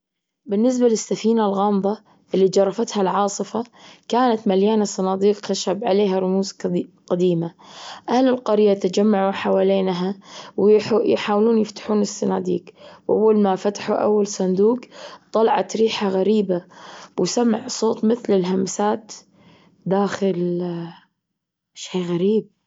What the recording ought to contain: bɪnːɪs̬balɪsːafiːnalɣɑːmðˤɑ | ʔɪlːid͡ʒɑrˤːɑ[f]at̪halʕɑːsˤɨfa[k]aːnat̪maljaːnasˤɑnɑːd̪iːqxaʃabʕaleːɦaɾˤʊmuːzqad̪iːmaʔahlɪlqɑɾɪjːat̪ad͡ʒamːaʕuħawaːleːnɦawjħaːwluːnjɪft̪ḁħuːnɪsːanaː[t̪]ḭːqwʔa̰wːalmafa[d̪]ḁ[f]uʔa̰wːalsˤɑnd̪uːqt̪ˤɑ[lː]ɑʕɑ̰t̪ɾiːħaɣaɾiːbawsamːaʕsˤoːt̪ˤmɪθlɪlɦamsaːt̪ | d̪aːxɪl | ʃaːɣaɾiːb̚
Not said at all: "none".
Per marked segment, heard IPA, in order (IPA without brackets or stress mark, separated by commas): f, k, d̪, t̪, ħ, l